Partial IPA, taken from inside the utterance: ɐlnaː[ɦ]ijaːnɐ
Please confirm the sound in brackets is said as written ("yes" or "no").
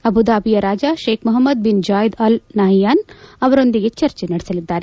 yes